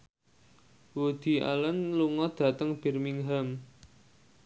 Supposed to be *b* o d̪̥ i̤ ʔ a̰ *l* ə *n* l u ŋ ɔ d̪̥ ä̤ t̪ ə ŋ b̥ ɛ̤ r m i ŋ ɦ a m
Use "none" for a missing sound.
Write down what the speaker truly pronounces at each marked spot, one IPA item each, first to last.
w, l, n

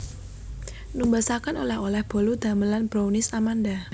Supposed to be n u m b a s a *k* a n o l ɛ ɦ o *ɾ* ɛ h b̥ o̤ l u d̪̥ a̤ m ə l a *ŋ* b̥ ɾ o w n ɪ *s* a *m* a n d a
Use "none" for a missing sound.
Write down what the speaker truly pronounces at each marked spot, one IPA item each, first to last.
k, l, n, s, m

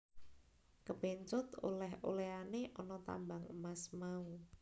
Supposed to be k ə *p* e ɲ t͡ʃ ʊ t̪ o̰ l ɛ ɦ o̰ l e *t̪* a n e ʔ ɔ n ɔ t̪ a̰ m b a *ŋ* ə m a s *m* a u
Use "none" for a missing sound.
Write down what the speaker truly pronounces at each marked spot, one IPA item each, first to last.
p, none, ŋ, m

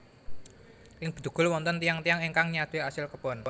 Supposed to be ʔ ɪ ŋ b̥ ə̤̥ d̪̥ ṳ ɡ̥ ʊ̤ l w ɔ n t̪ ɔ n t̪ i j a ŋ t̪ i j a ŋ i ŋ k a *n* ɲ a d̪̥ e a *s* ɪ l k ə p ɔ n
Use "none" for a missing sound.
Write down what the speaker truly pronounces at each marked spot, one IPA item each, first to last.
ŋ, s

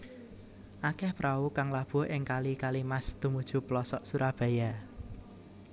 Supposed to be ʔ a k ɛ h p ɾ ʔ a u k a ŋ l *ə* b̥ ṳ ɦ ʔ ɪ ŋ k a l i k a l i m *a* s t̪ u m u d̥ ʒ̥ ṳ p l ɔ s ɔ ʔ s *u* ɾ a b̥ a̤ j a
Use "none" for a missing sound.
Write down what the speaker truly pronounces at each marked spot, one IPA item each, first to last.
a, a, u

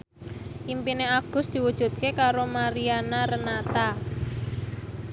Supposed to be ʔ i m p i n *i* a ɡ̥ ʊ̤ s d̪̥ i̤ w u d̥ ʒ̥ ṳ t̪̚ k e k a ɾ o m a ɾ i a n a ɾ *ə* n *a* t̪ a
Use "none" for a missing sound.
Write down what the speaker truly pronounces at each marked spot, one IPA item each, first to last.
e, ə, a

